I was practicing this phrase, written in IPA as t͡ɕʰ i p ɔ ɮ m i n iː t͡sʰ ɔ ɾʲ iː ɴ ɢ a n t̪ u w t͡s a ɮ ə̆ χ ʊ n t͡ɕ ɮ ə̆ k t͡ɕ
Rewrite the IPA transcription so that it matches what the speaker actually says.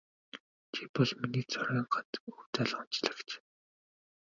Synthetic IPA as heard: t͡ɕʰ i p ɔ ɮ m i n iː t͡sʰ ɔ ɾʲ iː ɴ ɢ a n t̪ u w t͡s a ɮ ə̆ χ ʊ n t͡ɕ ɮ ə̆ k t͡ɕ